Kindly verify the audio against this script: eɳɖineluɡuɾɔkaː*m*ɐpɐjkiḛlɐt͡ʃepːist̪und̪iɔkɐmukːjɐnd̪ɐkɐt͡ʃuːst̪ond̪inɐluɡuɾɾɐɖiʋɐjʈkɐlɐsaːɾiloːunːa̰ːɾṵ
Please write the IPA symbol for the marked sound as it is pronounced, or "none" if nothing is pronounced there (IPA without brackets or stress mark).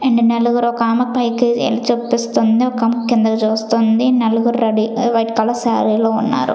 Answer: m